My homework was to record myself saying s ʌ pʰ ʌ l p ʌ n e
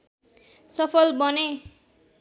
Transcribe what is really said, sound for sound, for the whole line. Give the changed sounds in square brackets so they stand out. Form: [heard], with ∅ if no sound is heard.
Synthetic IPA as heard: s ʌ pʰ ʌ l [b] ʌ n e